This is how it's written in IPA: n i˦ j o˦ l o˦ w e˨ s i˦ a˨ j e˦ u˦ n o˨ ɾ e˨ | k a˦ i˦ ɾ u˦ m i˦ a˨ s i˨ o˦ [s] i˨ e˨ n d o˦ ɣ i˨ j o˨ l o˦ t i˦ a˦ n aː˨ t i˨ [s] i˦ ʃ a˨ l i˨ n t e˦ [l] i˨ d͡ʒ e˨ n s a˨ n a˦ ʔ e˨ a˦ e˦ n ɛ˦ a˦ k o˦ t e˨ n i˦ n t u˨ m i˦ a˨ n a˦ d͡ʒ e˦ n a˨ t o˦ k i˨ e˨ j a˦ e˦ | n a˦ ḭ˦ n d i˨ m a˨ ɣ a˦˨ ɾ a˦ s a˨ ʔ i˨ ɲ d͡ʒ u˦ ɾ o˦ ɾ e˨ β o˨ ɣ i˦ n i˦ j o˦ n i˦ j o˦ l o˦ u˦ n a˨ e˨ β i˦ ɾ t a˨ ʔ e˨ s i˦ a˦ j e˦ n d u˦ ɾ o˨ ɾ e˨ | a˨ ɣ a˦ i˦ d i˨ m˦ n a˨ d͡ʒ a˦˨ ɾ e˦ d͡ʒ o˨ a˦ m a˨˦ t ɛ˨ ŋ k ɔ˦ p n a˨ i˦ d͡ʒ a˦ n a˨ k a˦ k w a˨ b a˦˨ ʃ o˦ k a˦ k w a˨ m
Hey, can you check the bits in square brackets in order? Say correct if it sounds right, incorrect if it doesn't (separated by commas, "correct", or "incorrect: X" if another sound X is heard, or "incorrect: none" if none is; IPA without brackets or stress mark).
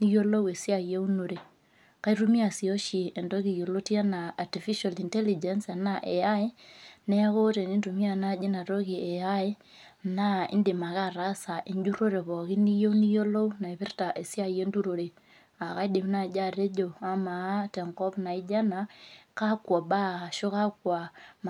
incorrect: ʃ, incorrect: f, correct